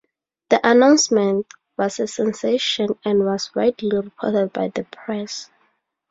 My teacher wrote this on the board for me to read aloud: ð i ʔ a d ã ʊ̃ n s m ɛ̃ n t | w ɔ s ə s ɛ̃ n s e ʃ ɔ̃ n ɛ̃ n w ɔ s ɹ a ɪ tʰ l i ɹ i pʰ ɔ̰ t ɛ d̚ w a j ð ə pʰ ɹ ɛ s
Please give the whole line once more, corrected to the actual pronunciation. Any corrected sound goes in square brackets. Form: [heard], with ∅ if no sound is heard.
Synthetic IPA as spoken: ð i ʔ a [n] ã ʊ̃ n s m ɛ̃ n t | w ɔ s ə s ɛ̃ n s e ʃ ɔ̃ n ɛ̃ n w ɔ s ɹ a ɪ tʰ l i ɹ i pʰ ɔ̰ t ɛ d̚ [b] a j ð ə pʰ ɹ ɛ s